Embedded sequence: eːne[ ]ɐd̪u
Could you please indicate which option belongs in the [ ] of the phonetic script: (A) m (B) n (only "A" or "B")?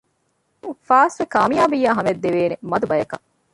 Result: A